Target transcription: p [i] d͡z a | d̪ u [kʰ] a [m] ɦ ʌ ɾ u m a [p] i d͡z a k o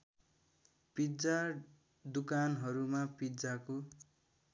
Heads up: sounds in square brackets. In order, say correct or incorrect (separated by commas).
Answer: correct, incorrect, incorrect, correct